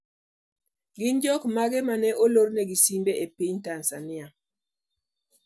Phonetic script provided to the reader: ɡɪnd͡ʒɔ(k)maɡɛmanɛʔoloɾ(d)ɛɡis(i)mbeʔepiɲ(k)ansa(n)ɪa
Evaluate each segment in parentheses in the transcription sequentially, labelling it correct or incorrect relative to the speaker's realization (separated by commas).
correct, incorrect, correct, incorrect, correct